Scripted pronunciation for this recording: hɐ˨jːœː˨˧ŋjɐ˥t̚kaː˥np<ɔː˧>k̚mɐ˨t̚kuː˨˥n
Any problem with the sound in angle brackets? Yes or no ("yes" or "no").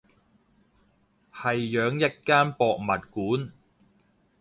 no